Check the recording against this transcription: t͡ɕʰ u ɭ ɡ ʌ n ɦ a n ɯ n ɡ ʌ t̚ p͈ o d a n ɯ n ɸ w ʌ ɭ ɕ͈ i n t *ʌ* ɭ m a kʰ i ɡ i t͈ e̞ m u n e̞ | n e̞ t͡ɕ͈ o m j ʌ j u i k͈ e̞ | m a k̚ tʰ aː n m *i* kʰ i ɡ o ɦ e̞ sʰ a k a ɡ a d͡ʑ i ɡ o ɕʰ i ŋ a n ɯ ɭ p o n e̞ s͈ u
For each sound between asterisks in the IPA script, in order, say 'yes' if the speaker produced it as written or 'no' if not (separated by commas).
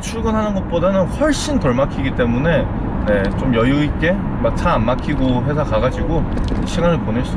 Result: yes, no